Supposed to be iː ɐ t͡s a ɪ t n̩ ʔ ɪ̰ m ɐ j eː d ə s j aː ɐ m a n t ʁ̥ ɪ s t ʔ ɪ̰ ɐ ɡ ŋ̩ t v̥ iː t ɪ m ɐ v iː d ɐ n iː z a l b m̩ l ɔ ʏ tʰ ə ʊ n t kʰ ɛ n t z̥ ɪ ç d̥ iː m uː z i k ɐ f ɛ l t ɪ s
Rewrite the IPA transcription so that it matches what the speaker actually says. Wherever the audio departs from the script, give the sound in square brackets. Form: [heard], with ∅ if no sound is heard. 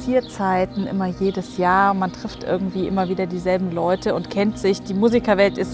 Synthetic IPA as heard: iː ɐ t͡s a ɪ t n̩ ʔ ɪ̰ m ɐ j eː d ə s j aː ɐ m a n t ʁ̥ ɪ [f] t ʔ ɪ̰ ɐ ɡ ŋ̩ t v̥ iː [ʔ] ɪ m ɐ v iː d ɐ [d] iː z [ɛ] l b m̩ l ɔ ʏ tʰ ə ʊ n t kʰ ɛ n t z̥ ɪ ç d̥ iː m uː z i k ɐ [v] ɛ l t ɪ s